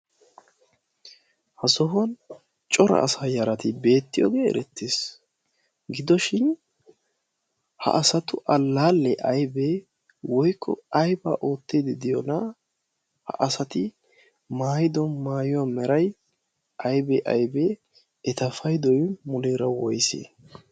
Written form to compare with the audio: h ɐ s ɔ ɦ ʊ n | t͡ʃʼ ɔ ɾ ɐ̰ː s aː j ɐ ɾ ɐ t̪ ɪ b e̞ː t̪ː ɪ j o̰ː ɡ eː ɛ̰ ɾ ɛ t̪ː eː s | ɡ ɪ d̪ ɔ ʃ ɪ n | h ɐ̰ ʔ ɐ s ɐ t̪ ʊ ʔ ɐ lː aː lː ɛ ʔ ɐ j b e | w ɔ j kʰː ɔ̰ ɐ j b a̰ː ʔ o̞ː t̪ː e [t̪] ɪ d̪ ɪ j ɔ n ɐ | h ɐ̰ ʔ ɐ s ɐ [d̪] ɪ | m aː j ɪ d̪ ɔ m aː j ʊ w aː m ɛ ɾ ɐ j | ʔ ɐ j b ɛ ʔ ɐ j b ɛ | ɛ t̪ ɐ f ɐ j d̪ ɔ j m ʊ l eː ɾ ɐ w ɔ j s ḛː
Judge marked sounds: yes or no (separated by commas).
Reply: no, no